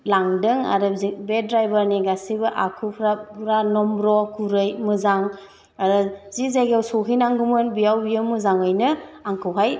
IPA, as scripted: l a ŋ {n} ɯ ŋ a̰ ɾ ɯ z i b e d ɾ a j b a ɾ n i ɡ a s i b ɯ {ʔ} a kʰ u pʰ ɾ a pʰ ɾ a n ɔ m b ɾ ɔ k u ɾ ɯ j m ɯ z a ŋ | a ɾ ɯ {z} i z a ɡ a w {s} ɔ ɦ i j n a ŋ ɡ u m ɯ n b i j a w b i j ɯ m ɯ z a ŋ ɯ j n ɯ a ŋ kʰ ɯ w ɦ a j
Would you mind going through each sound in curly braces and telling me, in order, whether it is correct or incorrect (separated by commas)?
incorrect, correct, correct, correct